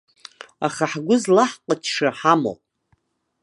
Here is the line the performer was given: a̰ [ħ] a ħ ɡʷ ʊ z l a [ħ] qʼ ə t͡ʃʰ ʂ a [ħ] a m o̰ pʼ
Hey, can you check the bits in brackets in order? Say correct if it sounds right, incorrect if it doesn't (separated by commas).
incorrect, correct, correct